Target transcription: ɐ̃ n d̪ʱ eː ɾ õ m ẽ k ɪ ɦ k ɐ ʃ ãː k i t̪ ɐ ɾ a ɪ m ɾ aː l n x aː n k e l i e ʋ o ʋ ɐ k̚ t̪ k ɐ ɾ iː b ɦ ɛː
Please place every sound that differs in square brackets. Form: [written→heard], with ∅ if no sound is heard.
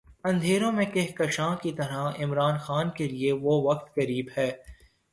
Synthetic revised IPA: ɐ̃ n d̪ʱ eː ɾ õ m ẽ k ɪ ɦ k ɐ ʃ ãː k i t̪ ɐ ɾ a ɪ m ɾ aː [l→∅] n x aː n k e l i e ʋ o ʋ ɐ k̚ t̪ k ɐ ɾ iː b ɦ ɛː